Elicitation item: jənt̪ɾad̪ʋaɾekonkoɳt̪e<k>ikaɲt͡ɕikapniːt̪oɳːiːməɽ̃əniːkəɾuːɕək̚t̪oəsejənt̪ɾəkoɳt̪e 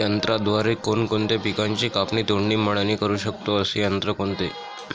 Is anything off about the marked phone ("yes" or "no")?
yes